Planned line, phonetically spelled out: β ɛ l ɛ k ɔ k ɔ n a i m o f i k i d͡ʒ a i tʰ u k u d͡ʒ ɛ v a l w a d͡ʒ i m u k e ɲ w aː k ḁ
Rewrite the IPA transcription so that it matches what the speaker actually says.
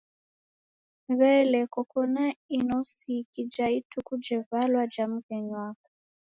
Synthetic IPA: β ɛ l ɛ k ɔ k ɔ n a i n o s i k i d͡ʒ a i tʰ u k u d͡ʒ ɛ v a l w a d͡ʒ a m u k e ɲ w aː k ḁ